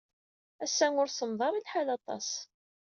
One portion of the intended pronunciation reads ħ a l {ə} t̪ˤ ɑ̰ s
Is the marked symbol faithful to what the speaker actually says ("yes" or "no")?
no